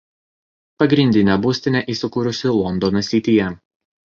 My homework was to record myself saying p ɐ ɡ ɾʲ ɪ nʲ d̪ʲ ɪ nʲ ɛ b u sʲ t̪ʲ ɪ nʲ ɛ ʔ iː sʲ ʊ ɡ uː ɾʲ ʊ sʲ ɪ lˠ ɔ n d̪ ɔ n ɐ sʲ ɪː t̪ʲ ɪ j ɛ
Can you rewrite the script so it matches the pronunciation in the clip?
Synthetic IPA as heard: p ɐ ɡ ɾʲ ɪ nʲ d̪ʲ ɪ nʲ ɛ b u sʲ t̪ʲ ɪ nʲ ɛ ʔ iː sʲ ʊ k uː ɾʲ ʊ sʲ ɪ lˠ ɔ n d̪ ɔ n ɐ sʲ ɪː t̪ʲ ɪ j ɛ